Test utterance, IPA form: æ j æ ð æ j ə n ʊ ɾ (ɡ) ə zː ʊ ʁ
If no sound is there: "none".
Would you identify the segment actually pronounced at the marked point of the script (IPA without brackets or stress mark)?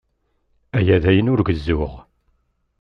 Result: ɡ